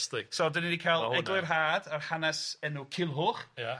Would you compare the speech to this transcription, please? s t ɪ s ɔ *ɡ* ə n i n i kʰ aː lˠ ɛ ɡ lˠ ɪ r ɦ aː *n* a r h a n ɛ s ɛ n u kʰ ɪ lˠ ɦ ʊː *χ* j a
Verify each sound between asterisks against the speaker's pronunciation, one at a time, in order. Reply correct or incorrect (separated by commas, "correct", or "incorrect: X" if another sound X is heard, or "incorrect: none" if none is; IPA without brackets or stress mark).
incorrect: d, incorrect: d, correct